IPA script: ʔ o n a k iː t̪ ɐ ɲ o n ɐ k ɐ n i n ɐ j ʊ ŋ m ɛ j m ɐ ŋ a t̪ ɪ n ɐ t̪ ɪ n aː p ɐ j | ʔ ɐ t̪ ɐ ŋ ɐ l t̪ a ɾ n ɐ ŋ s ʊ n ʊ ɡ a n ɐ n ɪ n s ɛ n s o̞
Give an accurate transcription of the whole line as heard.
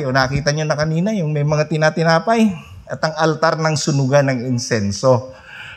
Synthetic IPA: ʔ o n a k iː t̪ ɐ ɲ o n ɐ k ɐ n iː n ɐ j ʊ ŋ m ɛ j m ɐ ŋ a t̪ ɪ n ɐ t̪ ɪ n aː p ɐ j | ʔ ɐ t̪ ɐ ŋ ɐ l t̪ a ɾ n ɐ ŋ s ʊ n ʊ ɡ a n ɐ ŋ ɪ n s ɛ n s o̞